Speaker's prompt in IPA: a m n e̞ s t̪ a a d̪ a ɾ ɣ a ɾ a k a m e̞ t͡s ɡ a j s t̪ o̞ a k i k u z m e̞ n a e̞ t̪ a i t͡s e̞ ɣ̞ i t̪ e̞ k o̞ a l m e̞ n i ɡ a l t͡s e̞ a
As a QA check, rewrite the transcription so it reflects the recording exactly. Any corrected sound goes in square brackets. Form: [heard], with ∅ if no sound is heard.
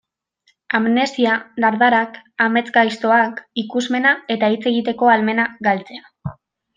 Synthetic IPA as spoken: a m n e̞ s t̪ [i] a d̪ a ɾ [ð] a ɾ a k a m e̞ t͡s ɡ a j s t̪ o̞ a k i k u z m e̞ n a e̞ t̪ a i t͡s e̞ ɣ̞ i t̪ e̞ k o̞ a l m e̞ n [a] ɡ a l t͡s e̞ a

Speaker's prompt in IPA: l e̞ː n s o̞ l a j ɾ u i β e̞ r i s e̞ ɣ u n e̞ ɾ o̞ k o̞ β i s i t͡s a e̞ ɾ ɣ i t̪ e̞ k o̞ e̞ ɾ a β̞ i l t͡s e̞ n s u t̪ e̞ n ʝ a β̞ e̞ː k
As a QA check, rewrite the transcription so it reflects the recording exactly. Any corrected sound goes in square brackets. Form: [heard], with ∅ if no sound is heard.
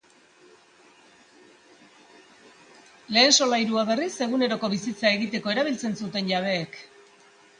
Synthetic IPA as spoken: l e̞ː n s o̞ l a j ɾ u [a] β e̞ r i s e̞ ɣ u n e̞ ɾ o̞ k o̞ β i s i t͡s a e̞ [∅] ɣ i t̪ e̞ k o̞ e̞ ɾ a β̞ i l t͡s e̞ n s u t̪ e̞ n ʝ a β̞ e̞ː k

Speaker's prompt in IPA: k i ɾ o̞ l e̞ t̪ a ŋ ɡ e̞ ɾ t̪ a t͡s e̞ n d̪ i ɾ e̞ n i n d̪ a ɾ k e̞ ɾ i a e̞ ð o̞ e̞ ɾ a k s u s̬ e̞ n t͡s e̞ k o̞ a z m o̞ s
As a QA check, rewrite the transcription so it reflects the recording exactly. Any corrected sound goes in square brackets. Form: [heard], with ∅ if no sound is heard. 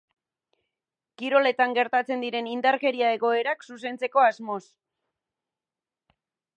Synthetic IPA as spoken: k i ɾ o̞ l e̞ t̪ a ŋ ɡ e̞ ɾ t̪ a t͡s e̞ n d̪ i ɾ e̞ n i n d̪ a ɾ k e̞ ɾ i a e̞ [ɣ] o̞ e̞ ɾ a k s u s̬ e̞ n t͡s e̞ k o̞ a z m o̞ s

